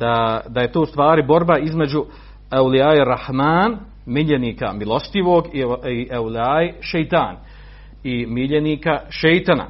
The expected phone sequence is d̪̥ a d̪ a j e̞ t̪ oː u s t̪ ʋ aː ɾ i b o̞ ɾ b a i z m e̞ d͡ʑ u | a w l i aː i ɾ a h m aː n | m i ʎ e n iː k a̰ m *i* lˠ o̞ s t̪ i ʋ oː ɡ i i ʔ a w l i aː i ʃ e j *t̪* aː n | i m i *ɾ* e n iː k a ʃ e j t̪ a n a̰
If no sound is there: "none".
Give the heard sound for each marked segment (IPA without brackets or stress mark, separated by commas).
i, t̪, ʎ